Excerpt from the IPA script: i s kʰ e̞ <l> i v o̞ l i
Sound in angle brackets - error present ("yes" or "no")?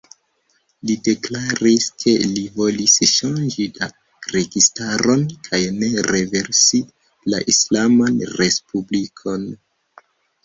no